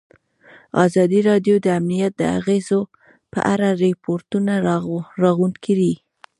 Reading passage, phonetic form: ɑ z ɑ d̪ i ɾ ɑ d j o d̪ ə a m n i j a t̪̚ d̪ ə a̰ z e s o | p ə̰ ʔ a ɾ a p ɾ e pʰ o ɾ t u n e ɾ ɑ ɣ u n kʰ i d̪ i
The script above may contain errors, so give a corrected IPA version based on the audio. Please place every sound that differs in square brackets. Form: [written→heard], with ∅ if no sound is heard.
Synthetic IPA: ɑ z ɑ d̪ i ɾ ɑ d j o d̪ ə a m n i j a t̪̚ d̪ ə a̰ [z→ɣ] e [s→z] o | p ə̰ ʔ a ɾ a [p→∅] ɾ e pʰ o ɾ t u n [e→a] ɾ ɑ ɣ u n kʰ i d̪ i